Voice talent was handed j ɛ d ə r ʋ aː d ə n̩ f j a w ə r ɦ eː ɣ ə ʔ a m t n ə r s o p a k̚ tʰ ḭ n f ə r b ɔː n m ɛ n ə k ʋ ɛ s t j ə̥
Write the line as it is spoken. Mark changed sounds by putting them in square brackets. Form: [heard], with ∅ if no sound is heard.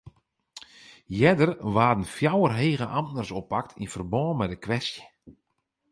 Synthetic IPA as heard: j ɛ d ə r ʋ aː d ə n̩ f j a w ə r ɦ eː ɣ ə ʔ a m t n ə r s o p a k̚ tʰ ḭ n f ə r b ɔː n m ɛ [d] ə k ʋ ɛ s t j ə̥